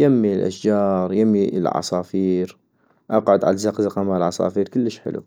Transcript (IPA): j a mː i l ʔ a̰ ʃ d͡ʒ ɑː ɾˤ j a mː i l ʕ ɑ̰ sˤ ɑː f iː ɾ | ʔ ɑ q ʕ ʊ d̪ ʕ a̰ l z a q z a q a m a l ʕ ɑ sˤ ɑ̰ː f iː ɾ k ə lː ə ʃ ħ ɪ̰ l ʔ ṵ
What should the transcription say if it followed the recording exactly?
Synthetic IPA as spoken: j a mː i l ʔ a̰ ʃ d͡ʒ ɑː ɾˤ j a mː i l ʕ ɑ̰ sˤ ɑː f iː ɾ | ʔ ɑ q ʕ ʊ d̪ ʕ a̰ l z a q z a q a m a l ʕ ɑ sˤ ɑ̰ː f iː ɾ k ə lː ə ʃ ħ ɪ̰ l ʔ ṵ